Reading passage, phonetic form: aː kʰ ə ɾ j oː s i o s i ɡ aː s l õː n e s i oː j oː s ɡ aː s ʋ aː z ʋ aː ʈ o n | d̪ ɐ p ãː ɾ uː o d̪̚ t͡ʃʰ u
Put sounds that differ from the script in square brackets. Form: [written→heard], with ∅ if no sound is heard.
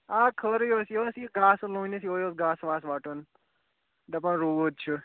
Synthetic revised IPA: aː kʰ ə ɾ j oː s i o s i ɡ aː s l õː n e s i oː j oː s ɡ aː s ʋ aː [z→s] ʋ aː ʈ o n | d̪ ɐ p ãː ɾ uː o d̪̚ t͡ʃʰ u